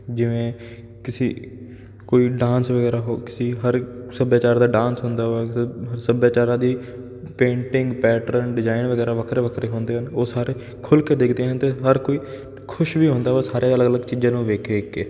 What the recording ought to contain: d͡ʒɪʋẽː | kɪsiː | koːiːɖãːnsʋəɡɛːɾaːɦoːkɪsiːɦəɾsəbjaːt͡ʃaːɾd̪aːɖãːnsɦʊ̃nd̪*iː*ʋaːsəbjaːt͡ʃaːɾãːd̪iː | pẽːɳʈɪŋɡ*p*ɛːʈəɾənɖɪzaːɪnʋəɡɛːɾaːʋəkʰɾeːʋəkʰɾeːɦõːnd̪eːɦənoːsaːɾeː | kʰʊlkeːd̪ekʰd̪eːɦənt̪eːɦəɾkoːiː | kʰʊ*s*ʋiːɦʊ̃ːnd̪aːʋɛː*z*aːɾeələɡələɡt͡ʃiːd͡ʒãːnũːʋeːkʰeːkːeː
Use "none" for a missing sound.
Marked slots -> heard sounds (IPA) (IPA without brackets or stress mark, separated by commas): aː, p, ʃ, s